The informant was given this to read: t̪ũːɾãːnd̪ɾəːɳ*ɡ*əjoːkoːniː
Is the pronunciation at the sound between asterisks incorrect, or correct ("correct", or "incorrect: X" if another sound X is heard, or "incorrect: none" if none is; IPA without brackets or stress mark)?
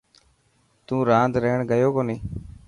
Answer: correct